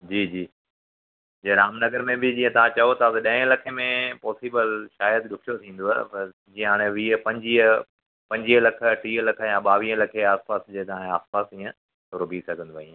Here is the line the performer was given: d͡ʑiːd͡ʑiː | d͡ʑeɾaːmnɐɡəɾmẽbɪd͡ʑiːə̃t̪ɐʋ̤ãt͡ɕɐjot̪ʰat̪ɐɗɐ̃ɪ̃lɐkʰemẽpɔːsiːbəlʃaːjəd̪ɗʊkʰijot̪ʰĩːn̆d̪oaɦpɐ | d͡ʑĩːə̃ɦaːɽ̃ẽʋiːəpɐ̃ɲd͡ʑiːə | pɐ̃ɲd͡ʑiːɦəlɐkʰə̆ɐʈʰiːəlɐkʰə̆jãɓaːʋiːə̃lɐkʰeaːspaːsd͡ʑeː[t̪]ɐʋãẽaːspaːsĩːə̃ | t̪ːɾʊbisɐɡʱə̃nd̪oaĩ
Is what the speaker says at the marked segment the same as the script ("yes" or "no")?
yes